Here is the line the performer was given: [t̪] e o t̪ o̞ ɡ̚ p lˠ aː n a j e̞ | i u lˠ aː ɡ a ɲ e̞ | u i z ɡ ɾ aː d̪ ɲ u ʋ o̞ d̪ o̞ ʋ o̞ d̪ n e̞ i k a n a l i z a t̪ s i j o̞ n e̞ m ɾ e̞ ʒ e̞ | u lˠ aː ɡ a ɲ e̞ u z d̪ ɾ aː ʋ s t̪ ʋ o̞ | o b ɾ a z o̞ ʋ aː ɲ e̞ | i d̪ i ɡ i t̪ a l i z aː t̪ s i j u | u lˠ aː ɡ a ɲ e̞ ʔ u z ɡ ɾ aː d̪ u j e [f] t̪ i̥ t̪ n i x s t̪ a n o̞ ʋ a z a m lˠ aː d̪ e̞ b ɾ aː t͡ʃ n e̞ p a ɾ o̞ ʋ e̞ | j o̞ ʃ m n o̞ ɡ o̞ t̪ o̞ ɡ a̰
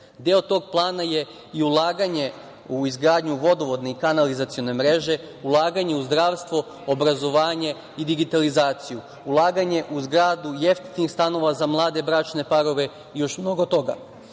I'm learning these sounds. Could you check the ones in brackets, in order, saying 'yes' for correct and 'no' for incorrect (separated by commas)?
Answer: no, yes